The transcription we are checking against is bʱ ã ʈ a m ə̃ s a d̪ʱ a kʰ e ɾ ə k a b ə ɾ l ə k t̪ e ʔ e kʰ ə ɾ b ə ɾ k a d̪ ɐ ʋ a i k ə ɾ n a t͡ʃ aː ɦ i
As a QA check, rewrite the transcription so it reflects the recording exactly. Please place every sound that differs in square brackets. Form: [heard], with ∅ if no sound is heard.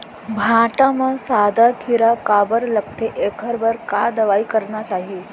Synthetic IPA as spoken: bʱ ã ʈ a m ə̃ s a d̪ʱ a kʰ [i] ɾ [a] k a b ə ɾ l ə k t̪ e ʔ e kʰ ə ɾ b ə ɾ k a d̪ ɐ ʋ a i k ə ɾ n a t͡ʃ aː ɦ i